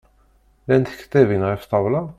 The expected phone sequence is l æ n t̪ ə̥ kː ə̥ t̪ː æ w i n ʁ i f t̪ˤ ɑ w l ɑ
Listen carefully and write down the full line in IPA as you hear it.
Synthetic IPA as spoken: l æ n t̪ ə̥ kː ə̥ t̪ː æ v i n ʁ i f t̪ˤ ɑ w l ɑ